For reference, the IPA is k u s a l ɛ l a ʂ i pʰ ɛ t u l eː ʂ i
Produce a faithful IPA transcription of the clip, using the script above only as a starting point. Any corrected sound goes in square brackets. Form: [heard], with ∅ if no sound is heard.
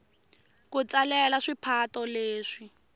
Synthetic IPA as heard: k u [t͡s] a l ɛ l a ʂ i pʰ [a] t [ɔ] l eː ʂ i